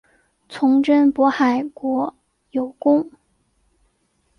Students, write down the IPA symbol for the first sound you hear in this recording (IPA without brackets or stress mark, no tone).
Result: t͡sʰ